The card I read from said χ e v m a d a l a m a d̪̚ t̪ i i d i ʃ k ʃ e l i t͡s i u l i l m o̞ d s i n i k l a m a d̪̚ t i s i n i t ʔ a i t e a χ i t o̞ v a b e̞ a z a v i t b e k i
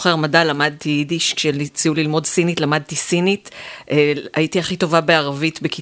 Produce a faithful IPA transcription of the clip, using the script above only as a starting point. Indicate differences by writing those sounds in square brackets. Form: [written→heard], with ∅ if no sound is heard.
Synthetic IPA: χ e [v→ʁ] m a d a l a m a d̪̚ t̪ i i d i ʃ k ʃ e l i t͡s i u l i l m o̞ d s i n i [k→t] l a m a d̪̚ t i s i n i t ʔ a i t [e→i] a χ i t o̞ v a b e̞ a [z→ʁ] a v i t b e k i